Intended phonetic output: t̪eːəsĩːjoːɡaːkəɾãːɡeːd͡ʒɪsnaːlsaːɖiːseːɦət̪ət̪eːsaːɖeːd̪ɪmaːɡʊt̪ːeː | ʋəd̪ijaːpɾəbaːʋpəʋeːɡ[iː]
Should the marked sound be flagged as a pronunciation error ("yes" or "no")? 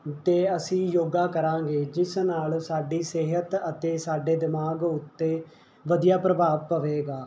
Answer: yes